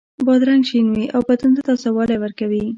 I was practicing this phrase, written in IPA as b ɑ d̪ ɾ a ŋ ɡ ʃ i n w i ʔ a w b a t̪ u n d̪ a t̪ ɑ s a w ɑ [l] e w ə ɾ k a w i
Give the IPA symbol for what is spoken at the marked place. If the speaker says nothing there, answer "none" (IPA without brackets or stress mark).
l